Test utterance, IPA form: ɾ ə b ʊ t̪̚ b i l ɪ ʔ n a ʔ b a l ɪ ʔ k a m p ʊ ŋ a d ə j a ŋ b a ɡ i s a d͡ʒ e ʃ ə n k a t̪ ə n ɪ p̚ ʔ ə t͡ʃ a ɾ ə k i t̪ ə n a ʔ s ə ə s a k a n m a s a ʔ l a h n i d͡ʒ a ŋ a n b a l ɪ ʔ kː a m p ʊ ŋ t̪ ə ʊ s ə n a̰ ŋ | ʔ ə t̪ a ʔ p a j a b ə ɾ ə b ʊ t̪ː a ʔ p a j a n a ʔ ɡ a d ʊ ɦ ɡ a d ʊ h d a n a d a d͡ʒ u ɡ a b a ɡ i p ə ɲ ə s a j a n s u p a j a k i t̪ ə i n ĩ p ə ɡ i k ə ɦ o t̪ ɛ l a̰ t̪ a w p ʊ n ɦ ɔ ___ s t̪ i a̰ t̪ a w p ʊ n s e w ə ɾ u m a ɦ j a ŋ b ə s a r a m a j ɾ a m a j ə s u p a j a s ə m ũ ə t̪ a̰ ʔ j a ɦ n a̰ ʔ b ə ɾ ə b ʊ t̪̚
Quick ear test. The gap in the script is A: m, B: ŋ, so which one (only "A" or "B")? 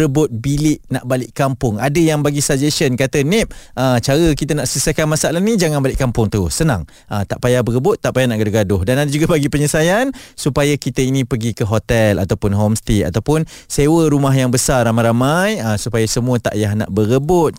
A